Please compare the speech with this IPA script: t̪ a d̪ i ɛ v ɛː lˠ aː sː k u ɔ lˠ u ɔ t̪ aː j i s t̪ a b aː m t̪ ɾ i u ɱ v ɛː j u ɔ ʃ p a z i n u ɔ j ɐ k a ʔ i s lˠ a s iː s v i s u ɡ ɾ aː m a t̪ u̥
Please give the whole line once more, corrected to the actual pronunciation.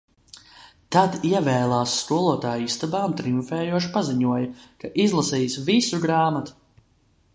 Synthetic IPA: t̪ a d̪ i ɛ v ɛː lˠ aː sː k u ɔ lˠ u ɔ t̪ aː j i s t̪ a b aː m t̪ ɾ i u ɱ f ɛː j u ɔ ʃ p a z i ɲ u ɔ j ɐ k a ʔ i z lˠ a s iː s v i s u ɡ ɾ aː m a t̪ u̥